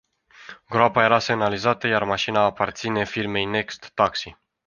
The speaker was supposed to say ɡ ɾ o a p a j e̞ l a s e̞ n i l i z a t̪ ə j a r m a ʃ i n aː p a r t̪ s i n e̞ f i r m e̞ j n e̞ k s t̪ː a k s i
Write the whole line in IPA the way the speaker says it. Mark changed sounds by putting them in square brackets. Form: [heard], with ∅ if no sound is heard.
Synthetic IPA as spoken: ɡ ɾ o a p a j e̞ [ɾ] a s e̞ n [a] l i z a t̪ ə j a r m a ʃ i n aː p a r t̪ s i n e̞ f i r m e̞ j n e̞ k s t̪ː a k s i

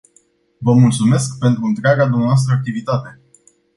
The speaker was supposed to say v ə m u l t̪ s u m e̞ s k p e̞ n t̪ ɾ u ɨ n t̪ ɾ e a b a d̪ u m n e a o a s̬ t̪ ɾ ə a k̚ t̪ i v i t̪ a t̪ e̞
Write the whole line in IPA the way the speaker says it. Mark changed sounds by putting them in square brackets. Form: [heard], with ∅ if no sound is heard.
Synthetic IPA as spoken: v ə m u l t̪ s u m e̞ s k p e̞ n t̪ ɾ u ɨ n t̪ ɾ e a [ɡ] a d̪ u m n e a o a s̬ t̪ ɾ ə a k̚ t̪ i v i t̪ a t̪ e̞

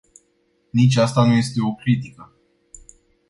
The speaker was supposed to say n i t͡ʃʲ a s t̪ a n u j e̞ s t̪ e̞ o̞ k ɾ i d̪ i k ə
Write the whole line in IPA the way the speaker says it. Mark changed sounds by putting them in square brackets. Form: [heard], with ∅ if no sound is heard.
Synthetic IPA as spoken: n i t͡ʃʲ a s t̪ a n u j e̞ s t̪ e̞ o̞ k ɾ i [t̪] i k ə

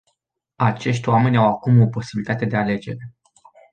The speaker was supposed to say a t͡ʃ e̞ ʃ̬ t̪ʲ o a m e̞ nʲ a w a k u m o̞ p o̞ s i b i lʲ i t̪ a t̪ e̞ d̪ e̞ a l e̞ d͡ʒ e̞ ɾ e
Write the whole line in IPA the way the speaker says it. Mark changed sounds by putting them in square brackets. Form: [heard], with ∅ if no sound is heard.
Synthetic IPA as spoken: a t͡ʃ e̞ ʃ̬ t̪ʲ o a m e̞ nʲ a w a k u m o̞ p o̞ s i b i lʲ i t̪ a t̪ e̞ d̪ e̞ a l e̞ d͡ʒ e̞ ɾ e

